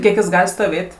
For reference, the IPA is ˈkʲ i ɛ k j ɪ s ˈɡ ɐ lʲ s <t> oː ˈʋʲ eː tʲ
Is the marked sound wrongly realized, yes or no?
no